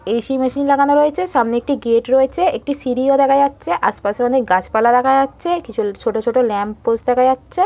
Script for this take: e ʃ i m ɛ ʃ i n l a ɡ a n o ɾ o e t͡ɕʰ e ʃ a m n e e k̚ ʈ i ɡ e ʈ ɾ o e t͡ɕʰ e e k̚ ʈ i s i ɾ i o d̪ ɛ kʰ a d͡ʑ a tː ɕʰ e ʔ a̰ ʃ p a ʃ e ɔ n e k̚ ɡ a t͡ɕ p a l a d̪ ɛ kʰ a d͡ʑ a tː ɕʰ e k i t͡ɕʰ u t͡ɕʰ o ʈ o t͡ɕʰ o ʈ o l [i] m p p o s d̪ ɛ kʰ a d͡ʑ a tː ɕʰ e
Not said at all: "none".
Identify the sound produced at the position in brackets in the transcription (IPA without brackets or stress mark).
ɛ